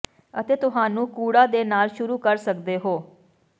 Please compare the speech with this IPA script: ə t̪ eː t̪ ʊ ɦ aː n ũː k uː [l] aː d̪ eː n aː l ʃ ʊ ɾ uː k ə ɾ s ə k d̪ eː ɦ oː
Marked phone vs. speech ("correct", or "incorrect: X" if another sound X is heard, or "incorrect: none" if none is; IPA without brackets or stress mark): incorrect: ɽ